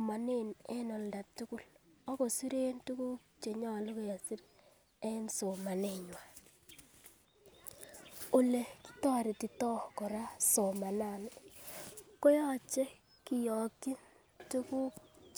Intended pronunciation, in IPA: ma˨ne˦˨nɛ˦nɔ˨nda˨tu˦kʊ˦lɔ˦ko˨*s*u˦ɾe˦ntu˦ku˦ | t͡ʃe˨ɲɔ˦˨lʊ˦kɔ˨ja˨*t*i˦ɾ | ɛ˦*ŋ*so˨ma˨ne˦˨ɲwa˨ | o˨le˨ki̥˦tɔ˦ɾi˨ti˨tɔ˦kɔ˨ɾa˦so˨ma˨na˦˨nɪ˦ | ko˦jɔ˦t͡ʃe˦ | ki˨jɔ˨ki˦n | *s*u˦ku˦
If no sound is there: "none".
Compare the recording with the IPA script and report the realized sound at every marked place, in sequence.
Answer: s, s, n, t

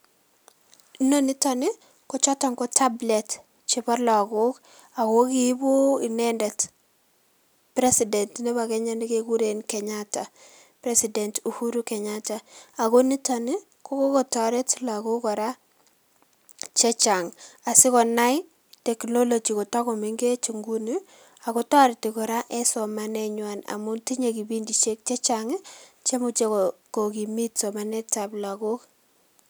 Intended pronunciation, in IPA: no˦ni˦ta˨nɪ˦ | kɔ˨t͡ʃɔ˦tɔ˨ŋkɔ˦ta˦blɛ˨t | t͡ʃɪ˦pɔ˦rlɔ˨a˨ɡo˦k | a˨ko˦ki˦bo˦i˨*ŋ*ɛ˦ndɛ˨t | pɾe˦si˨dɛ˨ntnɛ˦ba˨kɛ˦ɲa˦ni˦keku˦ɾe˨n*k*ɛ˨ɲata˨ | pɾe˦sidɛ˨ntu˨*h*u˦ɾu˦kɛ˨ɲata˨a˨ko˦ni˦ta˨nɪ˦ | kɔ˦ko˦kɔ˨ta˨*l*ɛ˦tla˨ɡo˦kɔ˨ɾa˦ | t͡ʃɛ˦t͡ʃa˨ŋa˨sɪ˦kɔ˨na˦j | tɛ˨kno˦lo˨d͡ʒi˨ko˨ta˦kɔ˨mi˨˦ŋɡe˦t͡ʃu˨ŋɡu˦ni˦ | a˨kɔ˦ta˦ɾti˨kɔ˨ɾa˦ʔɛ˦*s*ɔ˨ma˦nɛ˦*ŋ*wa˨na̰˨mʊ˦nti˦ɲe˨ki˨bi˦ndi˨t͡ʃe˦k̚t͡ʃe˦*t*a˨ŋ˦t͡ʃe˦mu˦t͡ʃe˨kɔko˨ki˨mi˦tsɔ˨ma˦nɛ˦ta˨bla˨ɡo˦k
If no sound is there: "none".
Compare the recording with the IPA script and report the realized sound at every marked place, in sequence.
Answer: n, k, h, ɾ, s, ɲ, t͡ʃ

